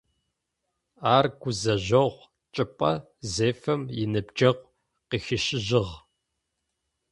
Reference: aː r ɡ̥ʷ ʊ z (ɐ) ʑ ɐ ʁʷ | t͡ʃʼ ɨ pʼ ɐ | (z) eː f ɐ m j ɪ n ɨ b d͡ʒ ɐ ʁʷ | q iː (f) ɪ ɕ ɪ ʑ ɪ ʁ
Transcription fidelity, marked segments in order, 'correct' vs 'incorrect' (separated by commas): correct, correct, incorrect